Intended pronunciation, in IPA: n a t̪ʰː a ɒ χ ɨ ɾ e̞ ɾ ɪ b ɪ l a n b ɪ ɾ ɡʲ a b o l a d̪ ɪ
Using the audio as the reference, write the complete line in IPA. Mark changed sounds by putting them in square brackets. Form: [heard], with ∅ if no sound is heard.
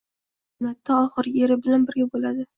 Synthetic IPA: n a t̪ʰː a ɒ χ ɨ ɾ e̞ ɾ ɪ b ɪ l a n b ɪ ɾ ɡʲ a b o l a d̪ ɪ